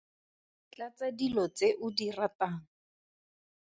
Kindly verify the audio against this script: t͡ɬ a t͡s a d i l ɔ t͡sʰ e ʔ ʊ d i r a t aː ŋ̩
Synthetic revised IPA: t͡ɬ a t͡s a d i l ɔ t͡s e ʔ ʊ d i r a t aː ŋ̩